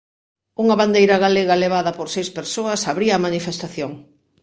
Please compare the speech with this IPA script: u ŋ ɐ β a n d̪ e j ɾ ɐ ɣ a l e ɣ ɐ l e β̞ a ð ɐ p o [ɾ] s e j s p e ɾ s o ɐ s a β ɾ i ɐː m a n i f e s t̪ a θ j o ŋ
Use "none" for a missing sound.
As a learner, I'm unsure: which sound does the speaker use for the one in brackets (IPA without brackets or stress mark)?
ɾ